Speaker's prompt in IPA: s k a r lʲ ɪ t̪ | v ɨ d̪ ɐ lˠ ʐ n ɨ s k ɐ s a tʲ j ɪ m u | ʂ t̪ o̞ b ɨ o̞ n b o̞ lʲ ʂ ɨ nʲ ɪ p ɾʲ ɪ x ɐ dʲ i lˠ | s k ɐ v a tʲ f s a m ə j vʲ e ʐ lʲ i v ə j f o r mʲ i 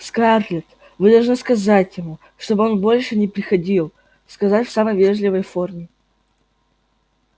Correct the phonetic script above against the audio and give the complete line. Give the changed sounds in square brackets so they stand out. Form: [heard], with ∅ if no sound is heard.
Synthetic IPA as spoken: s k a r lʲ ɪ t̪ | v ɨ d̪ ɐ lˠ ʐ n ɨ s k ɐ [z] a tʲ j ɪ m u | ʂ t̪ o̞ b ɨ o̞ n b o̞ lʲ ʂ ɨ nʲ ɪ p ɾʲ ɪ x ɐ dʲ i lˠ | s k ɐ [z] a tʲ f s a m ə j vʲ e ʐ lʲ [ɪ] v ə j f o r mʲ [ɪ]

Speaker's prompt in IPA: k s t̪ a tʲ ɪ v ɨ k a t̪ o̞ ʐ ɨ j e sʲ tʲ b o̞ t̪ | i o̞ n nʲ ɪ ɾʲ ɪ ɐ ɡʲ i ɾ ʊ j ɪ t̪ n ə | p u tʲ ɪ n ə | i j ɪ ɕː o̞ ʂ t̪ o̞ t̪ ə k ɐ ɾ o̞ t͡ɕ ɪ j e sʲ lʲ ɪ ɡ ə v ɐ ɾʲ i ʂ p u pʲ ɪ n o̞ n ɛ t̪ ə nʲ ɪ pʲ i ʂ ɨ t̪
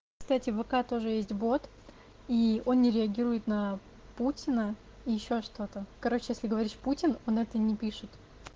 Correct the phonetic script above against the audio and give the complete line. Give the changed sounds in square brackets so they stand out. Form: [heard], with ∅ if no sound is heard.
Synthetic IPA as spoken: k s t̪ a tʲ ɪ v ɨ k a t̪ o̞ ʐ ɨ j e sʲ tʲ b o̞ t̪ | i o̞ n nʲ ɪ ɾʲ ɪ ɐ ɡʲ i ɾ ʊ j ɪ t̪ n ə | p u tʲ ɪ n ə | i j ɪ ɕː o̞ ʂ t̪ o̞ t̪ ə k ɐ ɾ o̞ t͡ɕ ɪ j e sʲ lʲ ɪ ɡ ə v ɐ ɾʲ i ʂ p u [tʲ] ɪ n o̞ n ɛ t̪ ə nʲ ɪ pʲ i ʂ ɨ t̪

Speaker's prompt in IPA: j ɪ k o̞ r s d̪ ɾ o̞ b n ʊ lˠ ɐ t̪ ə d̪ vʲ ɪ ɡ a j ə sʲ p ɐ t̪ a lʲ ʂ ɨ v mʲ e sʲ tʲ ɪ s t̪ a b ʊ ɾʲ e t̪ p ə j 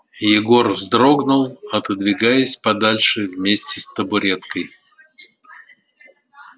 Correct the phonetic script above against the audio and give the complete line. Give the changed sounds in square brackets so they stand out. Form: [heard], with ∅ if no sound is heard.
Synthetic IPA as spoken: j ɪ [ɡ] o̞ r [z] d̪ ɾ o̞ [ɡ] n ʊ lˠ ɐ t̪ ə d̪ vʲ ɪ ɡ a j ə sʲ p ɐ [d̪] a lʲ ʂ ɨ v mʲ e sʲ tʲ ɪ s t̪ [ə] b ʊ ɾʲ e t̪ [k] ə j

